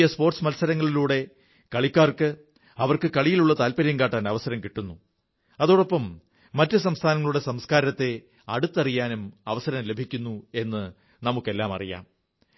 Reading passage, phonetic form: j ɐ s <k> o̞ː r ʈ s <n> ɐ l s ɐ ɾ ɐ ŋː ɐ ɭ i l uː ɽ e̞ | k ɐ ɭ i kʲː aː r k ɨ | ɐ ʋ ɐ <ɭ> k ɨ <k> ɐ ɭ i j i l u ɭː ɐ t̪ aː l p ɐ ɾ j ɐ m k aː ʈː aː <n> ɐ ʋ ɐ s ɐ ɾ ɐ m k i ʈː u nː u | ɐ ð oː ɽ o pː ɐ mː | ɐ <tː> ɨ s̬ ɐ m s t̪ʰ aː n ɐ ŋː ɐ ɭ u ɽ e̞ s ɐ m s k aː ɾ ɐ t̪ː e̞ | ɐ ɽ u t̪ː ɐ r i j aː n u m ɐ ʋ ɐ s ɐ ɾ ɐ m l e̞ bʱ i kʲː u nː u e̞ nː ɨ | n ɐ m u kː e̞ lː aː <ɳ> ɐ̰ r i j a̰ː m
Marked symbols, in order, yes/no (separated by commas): no, no, no, yes, yes, yes, no